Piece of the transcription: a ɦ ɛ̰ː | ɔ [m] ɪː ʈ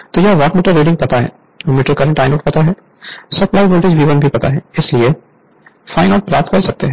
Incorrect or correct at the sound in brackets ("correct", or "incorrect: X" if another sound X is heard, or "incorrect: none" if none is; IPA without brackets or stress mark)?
correct